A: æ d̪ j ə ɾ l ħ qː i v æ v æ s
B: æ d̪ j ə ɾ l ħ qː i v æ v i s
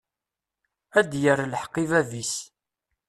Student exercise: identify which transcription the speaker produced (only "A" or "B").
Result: B